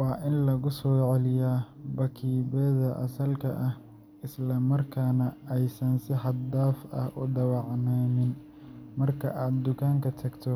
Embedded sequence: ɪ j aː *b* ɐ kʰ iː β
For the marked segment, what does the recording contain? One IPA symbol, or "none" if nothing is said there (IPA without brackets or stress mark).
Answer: b